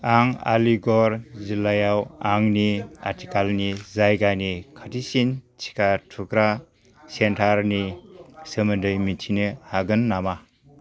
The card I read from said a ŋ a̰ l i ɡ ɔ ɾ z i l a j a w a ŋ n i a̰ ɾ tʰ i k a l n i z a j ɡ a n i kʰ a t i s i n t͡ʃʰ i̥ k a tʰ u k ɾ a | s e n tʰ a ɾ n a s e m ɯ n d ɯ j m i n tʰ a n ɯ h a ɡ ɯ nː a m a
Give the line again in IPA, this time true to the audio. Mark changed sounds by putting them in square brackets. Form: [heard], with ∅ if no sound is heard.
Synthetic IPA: a ŋ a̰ l i ɡ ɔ ɾ z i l a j a w a ŋ n i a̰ ɾ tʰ i k a l n i z a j ɡ a n i kʰ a t i s i n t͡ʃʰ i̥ k a tʰ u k ɾ a | s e n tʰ a ɾ n [i] s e m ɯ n d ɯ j m i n tʰ [i] n ɯ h a ɡ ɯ nː a m a